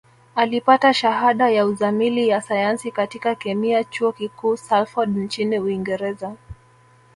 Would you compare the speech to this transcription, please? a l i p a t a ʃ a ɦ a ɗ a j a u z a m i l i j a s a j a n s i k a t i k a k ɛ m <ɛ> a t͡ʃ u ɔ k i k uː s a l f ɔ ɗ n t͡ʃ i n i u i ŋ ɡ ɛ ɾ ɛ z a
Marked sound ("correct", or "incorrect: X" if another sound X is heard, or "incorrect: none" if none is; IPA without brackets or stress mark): incorrect: i